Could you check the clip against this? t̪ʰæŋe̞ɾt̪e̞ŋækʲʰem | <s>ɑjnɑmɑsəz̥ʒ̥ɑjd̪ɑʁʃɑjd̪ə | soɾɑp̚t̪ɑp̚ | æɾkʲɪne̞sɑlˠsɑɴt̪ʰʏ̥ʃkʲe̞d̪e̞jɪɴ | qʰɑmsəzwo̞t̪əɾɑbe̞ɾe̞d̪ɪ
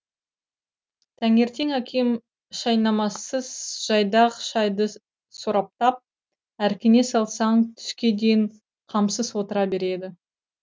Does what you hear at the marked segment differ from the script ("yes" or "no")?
yes